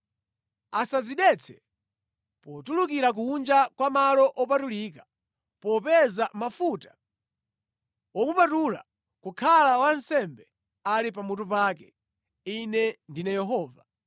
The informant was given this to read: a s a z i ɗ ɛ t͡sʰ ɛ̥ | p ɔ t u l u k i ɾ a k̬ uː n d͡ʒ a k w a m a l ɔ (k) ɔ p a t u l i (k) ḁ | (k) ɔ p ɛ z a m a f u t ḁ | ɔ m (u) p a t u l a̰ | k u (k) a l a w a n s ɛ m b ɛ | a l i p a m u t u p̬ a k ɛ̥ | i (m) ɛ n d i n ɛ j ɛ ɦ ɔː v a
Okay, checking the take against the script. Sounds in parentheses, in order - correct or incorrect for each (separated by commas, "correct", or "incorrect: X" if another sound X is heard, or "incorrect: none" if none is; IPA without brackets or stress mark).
incorrect: ʔ, correct, incorrect: p, correct, incorrect: kʰ, incorrect: n